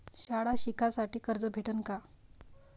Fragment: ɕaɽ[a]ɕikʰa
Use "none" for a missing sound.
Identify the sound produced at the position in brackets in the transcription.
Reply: a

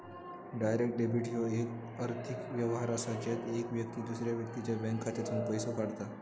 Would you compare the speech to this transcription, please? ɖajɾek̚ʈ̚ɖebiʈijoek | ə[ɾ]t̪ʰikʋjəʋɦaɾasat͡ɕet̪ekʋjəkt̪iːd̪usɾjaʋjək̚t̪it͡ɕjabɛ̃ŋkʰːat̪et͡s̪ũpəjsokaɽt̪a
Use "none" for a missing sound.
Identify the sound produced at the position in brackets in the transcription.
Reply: ɾ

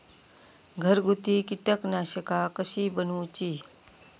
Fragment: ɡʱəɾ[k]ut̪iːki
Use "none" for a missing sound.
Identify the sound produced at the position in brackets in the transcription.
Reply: ɡ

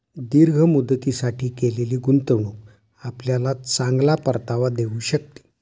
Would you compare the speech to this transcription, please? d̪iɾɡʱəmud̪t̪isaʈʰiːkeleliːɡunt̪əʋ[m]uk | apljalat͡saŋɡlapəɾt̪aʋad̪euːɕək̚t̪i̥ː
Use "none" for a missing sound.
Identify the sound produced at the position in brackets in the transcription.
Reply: ɳ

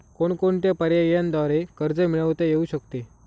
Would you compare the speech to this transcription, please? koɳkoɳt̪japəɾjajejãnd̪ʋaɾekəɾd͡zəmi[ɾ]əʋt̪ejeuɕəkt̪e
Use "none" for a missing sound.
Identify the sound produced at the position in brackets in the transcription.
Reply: ɭ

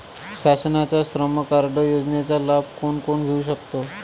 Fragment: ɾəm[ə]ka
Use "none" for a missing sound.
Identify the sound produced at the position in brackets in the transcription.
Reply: ə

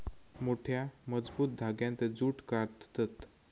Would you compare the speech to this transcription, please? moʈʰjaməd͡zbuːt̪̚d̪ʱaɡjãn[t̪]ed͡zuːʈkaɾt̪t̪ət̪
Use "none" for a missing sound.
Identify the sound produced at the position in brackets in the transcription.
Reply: t̪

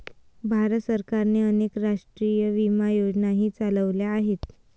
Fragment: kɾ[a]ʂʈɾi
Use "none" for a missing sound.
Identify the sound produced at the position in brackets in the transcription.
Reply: a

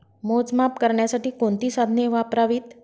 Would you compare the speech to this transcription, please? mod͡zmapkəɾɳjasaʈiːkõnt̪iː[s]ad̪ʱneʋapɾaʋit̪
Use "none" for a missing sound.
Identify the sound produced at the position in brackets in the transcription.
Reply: s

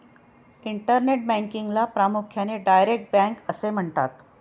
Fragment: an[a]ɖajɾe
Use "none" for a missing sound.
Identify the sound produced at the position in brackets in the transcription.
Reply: e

